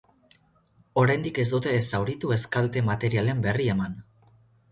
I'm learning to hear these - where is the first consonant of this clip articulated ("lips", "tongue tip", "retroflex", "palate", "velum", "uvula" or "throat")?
tongue tip